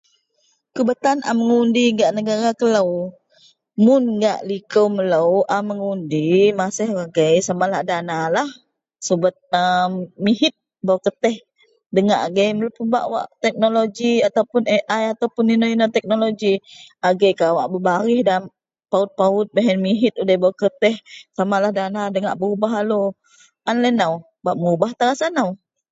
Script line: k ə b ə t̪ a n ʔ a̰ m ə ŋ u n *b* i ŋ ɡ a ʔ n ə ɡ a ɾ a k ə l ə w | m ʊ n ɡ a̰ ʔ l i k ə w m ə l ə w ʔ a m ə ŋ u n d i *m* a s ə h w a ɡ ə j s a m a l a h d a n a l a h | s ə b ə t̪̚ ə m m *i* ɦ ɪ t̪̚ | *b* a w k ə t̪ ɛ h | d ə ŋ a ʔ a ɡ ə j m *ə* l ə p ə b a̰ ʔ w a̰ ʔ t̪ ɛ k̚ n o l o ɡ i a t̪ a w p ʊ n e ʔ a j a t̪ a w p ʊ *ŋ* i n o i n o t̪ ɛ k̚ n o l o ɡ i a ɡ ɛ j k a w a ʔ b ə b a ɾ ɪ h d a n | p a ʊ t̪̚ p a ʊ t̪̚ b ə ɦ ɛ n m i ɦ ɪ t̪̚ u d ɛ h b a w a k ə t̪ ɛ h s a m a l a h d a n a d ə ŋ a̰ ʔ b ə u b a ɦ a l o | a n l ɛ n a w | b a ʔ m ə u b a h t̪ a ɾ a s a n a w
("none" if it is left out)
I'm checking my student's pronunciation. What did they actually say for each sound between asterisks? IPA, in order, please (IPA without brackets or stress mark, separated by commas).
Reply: d, m, i, b, ə, n